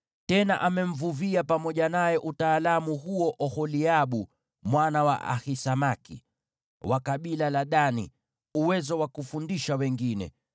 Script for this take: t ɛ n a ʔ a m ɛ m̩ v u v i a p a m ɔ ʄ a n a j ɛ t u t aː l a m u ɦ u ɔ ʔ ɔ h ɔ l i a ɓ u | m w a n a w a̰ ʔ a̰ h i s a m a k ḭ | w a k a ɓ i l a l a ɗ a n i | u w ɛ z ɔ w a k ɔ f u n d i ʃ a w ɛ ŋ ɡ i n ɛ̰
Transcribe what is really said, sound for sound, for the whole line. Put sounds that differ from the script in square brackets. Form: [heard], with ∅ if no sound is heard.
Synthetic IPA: t ɛ n a ʔ a m ɛ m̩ v u v i a p a m ɔ ʄ a n a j ɛ [ʔ] u t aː l a m u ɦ u ɔ ʔ ɔ h ɔ l i a ɓ u | m w a n a w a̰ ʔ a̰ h i s a m a k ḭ | w a k a ɓ i l a l a ɗ a n i | u w ɛ z ɔ w a k [u] f u n d i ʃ a w ɛ ŋ ɡ i n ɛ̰